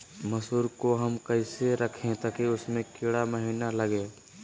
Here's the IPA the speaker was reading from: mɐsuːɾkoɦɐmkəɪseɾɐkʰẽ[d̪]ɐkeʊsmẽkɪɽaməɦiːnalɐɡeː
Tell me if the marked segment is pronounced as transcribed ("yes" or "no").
no